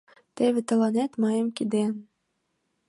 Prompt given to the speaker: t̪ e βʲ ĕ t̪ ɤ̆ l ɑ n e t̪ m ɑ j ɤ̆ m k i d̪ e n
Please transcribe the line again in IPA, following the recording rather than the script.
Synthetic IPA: t̪ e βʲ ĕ t̪ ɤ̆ l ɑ n e t̪ m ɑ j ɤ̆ m k i d̪ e n